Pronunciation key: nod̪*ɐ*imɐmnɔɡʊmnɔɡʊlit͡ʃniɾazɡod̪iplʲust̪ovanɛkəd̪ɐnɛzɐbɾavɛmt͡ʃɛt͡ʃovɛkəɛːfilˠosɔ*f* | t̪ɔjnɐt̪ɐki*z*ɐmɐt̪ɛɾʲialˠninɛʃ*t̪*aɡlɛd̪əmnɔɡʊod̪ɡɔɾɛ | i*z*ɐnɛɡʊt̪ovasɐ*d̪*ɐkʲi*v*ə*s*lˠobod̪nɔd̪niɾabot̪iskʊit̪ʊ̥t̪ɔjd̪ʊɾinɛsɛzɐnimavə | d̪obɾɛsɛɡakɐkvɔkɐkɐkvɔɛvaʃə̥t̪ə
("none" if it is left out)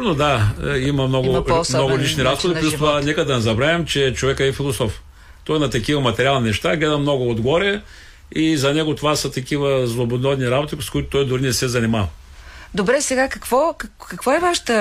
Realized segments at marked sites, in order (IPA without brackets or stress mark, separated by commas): a, f, v, t̪, z, t̪, v, z